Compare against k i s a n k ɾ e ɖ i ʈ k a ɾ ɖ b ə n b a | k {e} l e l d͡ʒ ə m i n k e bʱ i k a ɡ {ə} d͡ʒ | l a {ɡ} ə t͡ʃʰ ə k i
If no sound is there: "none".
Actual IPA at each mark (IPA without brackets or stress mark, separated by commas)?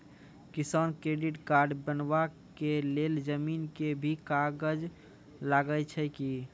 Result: e, ə, ɡ